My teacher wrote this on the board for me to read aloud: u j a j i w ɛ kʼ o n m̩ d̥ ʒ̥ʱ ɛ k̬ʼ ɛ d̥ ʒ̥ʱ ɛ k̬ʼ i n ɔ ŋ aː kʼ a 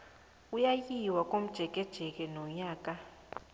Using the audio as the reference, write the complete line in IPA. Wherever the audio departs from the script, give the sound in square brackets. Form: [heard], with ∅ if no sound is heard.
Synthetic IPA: u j a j i w [a] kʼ o [∅] m̩ d̥ ʒ̥ʱ ɛ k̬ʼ ɛ d̥ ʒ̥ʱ ɛ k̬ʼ [ɛ] n ɔ [ɲ] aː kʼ a